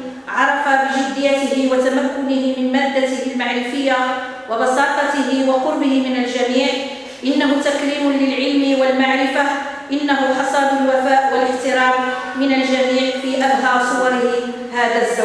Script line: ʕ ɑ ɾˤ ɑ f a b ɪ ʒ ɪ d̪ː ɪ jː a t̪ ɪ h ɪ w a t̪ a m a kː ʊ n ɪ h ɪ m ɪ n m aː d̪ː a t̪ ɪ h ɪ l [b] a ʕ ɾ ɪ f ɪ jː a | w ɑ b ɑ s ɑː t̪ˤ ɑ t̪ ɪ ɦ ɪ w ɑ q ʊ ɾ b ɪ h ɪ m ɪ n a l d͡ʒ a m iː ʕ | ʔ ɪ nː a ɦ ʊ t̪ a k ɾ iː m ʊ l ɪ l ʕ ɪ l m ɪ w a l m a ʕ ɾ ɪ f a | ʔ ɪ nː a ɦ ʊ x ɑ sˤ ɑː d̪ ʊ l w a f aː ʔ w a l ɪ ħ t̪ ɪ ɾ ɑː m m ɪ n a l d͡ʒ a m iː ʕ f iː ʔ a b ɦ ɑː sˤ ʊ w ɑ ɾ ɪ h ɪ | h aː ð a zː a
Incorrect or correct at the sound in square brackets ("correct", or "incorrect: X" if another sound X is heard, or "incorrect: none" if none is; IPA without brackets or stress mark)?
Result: incorrect: m